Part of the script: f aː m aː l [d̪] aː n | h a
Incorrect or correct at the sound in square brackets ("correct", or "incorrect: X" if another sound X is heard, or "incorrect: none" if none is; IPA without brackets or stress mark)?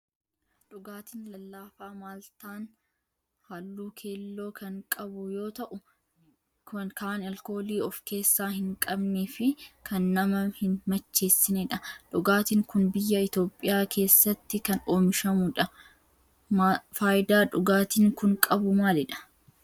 incorrect: t̪